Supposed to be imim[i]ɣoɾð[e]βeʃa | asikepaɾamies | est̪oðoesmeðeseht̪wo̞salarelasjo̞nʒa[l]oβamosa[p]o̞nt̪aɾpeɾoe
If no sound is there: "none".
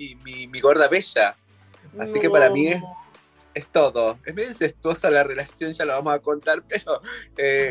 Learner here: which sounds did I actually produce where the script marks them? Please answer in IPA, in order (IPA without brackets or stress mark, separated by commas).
i, a, l, k